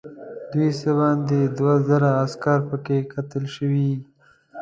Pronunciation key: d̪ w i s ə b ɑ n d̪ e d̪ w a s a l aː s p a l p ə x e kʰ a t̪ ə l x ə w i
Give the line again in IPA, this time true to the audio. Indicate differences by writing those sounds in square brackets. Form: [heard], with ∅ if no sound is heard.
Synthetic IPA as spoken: d̪ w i s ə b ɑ n d̪ e d̪ w a [z] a [ɾ] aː s [k] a [ɾ] p ə [k] e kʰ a t̪ ə l [ʃ] ə w i